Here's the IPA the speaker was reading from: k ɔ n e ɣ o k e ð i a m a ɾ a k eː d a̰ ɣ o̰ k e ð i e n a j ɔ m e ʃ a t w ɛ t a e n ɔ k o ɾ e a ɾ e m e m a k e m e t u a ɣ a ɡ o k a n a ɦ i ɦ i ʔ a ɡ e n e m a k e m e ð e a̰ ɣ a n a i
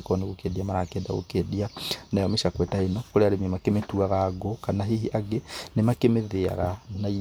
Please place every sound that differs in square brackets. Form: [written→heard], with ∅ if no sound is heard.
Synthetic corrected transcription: k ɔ n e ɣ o k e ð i a m a ɾ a k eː d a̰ ɣ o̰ k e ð i [e→a] n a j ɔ m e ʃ a [t→k] w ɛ t a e n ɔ k o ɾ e a ɾ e m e m a k e m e t u a ɣ a ɡ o k a n a ɦ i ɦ i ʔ a ɡ e n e m a k e m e ð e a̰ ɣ a n a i